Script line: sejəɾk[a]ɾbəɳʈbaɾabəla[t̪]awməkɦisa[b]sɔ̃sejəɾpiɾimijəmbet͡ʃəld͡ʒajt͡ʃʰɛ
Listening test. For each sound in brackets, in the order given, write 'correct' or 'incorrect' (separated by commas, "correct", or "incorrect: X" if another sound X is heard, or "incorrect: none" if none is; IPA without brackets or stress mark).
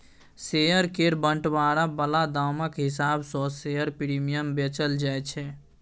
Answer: incorrect: e, incorrect: d̪, correct